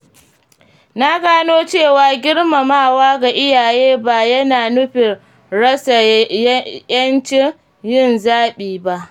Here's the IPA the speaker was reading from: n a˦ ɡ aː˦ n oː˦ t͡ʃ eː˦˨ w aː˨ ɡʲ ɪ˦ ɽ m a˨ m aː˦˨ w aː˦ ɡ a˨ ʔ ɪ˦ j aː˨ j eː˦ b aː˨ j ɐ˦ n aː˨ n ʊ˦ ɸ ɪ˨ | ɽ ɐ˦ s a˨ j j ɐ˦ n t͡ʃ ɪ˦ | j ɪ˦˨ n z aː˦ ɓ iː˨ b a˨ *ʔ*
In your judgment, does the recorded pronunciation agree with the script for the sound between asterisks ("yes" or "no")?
yes